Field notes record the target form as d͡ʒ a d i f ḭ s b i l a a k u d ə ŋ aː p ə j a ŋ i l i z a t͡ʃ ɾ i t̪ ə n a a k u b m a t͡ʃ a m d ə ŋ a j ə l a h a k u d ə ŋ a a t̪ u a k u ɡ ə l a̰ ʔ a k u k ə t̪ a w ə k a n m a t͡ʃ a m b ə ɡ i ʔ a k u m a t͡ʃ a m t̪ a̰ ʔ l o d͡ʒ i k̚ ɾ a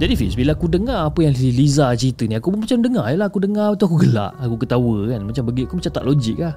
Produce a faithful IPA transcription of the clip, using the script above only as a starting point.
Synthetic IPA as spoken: d͡ʒ a d i f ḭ s b i l a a k u d ə ŋ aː p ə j a ŋ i l i z a t͡ʃ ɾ i t̪ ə n i a k u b m a t͡ʃ a m d ə ŋ a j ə l a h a k u d ə ŋ a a t̪ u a k u ɡ ə l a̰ ʔ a k u k ə t̪ a w ə k a n m a t͡ʃ a m b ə ɡ i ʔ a k u m a t͡ʃ a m t̪ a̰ ʔ l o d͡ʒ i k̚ l a